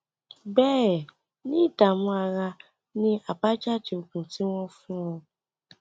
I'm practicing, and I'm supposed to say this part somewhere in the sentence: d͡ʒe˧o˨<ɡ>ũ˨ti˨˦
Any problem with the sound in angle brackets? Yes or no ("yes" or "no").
yes